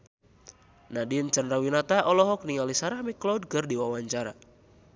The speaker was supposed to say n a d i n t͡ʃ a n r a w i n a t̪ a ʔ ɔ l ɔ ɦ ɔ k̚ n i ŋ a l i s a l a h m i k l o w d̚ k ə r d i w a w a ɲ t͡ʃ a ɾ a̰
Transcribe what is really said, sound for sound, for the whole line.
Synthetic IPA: n a d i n t͡ʃ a n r a w i n a t̪ a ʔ ɔ l ɔ ɦ ɔ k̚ n i ŋ a l i s a ɾ a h m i k l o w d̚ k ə r d i w a w a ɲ t͡ʃ a ɾ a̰